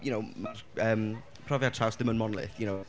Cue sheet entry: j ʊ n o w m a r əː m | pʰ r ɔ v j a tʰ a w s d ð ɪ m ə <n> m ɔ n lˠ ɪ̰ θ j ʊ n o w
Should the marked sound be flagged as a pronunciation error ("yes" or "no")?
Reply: no